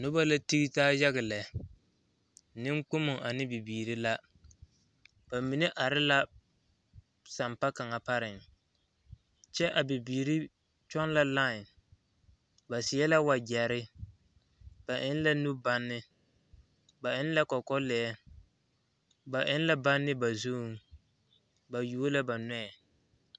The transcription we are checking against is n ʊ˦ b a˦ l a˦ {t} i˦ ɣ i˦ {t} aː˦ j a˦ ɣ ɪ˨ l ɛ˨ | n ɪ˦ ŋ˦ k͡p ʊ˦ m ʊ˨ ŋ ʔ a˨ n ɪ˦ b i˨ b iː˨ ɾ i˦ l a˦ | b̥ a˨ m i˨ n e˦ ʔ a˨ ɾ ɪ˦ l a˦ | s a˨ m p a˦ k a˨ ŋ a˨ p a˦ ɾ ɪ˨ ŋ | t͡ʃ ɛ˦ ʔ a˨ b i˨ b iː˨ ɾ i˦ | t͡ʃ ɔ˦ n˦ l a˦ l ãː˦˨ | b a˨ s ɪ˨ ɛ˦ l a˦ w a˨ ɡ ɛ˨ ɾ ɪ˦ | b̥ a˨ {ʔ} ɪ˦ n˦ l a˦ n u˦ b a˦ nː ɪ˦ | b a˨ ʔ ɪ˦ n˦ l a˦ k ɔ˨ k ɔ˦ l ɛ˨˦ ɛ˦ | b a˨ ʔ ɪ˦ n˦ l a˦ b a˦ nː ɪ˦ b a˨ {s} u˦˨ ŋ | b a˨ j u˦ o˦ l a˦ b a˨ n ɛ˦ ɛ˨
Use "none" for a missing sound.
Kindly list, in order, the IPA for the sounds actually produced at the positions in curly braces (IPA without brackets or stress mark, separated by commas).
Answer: t, t, ʔ, z